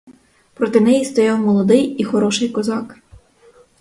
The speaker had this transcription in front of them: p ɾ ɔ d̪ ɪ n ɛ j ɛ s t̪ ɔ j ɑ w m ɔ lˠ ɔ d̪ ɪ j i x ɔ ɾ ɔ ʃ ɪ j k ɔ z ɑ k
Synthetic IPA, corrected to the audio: p ɾ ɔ t̪ ɪ n ɛ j i s t̪ ɔ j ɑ w m ɔ lˠ ɔ d̪ ɪ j i x ɔ ɾ ɔ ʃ ɪ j k ɔ z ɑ k